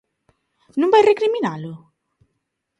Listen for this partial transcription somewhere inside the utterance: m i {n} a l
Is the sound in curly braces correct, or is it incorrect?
correct